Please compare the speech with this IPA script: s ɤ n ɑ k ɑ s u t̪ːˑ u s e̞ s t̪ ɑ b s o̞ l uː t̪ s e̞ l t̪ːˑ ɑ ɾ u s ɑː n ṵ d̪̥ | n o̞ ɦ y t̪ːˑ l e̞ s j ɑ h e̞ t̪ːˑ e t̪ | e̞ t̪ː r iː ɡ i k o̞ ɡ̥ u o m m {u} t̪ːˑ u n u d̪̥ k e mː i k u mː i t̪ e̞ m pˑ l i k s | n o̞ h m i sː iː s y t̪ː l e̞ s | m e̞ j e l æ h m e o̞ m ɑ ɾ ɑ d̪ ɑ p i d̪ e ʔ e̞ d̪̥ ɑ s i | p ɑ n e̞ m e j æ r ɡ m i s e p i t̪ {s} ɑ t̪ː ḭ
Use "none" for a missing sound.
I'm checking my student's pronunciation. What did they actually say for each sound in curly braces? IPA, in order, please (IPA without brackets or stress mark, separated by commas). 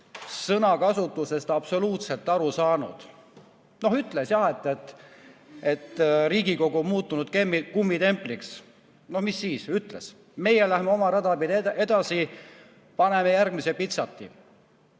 uː, s